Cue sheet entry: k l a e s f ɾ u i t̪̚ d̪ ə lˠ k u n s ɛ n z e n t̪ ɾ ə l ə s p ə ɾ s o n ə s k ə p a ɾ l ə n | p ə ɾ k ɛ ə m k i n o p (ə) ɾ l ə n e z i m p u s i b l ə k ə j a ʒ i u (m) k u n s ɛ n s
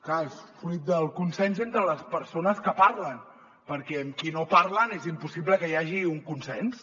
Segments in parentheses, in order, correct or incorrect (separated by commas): incorrect, incorrect